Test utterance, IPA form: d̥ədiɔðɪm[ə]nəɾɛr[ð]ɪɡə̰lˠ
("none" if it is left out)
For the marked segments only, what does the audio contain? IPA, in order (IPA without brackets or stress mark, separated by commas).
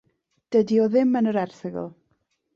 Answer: ə, θ